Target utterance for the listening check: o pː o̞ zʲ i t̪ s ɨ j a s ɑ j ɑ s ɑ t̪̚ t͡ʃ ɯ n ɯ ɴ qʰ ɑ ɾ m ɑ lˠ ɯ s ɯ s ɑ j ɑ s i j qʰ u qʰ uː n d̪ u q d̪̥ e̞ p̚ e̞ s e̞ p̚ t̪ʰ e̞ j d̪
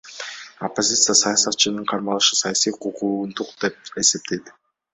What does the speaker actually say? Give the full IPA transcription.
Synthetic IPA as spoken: o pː o̞ zʲ i t̪ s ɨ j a s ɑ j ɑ s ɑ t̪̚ t͡ʃ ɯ n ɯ ɴ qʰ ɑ ɾ m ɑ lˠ ɯ ʃ ɯ s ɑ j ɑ s i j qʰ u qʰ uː n d̪ u q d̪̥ e̞ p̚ e̞ s e̞ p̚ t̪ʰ e̞ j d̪